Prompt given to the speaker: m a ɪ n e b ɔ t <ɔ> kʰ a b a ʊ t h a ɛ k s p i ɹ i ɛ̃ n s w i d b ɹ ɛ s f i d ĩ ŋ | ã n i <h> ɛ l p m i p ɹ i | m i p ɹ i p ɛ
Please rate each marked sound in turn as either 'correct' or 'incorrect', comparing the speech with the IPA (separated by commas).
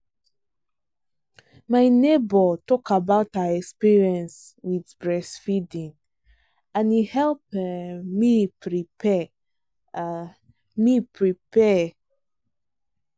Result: correct, correct